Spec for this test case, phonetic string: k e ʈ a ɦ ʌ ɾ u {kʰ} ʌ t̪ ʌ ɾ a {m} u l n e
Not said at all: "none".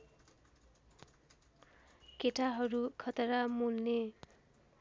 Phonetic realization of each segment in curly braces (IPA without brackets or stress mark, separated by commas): kʰ, m